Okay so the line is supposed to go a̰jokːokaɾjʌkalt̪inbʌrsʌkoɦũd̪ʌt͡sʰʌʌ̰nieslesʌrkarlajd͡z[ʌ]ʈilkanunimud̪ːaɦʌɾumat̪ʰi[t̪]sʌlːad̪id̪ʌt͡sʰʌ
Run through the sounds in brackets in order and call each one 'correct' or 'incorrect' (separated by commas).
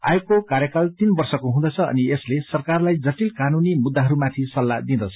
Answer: correct, incorrect